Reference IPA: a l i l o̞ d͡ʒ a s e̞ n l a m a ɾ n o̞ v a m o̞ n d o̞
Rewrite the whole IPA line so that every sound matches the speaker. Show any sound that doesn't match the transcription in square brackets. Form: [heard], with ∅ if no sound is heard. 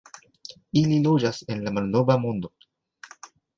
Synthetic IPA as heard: [i] l i l o̞ d͡ʒ a s e̞ n l a m a [l] n o̞ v a m o̞ n d o̞